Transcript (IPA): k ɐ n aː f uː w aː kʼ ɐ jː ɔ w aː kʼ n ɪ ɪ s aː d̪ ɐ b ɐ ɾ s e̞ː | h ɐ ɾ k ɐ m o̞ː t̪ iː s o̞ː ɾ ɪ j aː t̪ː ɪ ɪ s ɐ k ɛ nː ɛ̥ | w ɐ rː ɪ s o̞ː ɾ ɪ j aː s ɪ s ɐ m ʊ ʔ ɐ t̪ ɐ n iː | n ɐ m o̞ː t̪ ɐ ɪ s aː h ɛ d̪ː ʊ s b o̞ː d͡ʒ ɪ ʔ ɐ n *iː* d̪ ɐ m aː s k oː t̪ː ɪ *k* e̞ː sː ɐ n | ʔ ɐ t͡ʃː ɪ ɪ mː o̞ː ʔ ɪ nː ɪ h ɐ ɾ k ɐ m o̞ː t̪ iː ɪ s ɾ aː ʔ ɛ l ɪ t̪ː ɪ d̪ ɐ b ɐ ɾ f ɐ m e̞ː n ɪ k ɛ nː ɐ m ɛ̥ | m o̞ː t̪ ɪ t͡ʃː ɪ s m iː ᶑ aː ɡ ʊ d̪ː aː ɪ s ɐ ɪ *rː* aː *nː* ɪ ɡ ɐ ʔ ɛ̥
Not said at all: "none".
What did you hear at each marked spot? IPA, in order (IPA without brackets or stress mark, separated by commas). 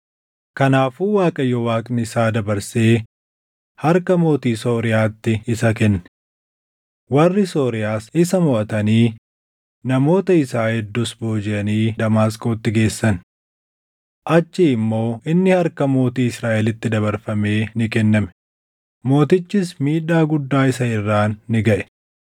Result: iː, ɡ, rː, nː